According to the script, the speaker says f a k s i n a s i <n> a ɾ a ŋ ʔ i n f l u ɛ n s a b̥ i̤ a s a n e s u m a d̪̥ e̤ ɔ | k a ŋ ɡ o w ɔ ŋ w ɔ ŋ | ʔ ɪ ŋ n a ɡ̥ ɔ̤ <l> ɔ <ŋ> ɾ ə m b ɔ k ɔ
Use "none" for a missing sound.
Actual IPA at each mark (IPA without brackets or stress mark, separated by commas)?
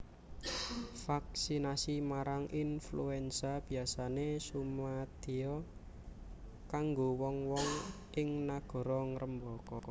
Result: m, ɾ, ŋ